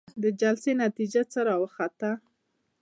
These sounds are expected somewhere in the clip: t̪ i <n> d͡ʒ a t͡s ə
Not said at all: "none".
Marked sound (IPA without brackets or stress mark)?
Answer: none